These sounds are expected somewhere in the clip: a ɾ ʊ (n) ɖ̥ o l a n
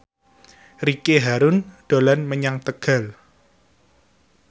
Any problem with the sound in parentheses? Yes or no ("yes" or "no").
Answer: no